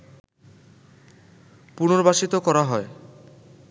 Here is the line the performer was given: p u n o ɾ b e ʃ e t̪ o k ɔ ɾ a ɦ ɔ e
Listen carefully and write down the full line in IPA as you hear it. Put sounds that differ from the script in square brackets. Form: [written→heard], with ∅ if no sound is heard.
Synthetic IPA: p u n o ɾ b [e→a] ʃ [e→i] t̪ o k ɔ ɾ a ɦ ɔ e